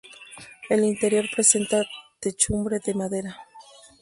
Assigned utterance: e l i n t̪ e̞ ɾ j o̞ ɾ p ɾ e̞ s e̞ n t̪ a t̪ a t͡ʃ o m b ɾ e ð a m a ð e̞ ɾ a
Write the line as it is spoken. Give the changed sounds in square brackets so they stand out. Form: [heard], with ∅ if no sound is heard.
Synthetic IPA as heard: e l i n t̪ e̞ ɾ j o̞ ɾ p ɾ e̞ s e̞ n t̪ a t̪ [e] t͡ʃ [u] m b ɾ e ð [e] m a ð e̞ ɾ a